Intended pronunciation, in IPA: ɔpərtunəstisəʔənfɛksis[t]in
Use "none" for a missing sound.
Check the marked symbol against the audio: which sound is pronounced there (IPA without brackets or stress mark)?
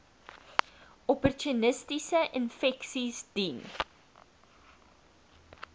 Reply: d